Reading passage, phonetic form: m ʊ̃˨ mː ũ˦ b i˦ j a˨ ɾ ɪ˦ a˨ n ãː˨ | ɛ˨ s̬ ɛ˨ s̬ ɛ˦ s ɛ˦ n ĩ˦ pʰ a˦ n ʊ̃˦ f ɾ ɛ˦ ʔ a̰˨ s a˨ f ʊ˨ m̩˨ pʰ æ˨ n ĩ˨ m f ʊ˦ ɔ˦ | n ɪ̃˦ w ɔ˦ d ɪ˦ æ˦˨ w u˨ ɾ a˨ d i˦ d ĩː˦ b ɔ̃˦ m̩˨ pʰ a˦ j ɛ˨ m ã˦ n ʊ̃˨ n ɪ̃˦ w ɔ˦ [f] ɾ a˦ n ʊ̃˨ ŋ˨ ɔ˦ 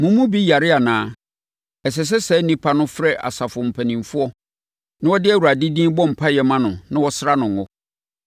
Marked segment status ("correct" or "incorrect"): incorrect